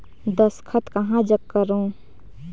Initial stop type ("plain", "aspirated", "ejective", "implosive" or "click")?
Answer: plain